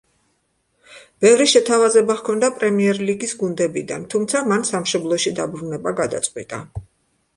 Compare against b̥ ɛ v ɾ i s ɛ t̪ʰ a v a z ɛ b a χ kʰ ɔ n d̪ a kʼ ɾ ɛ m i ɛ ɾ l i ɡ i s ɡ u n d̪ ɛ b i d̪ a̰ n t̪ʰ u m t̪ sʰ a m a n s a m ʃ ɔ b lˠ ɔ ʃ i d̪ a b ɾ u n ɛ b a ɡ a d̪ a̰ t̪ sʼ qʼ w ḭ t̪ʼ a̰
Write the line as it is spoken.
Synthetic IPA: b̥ ɛ v ɾ i ʃ ɛ t̪ʰ a v a z ɛ b a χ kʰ ɔ n d̪ a pʼ ɾ ɛ m i ɛ ɾ l i ɡ i s ɡ u n d̪ ɛ b i d̪ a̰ n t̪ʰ u m t̪ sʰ a m a n s a m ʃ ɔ b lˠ ɔ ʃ i d̪ a b ɾ u n ɛ b a ɡ a d̪ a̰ t̪ sʼ qʼ w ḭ t̪ʼ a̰